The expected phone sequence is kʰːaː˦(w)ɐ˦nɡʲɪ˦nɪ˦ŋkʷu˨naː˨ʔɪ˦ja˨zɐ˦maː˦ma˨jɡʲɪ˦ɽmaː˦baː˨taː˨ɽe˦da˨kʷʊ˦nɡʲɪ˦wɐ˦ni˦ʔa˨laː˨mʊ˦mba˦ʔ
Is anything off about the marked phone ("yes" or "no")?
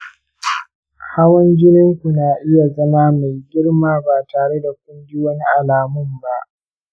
no